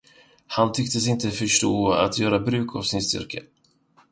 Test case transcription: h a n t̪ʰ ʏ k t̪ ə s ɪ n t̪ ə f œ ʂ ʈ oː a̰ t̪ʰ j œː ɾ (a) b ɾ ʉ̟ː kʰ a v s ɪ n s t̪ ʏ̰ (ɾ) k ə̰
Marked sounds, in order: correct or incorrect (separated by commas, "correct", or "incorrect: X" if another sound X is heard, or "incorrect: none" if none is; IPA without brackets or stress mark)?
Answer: correct, correct